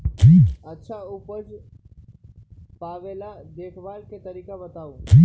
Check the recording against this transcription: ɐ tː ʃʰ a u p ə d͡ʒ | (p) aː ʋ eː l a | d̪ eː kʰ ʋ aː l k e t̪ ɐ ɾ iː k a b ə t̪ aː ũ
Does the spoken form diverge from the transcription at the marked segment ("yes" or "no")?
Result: no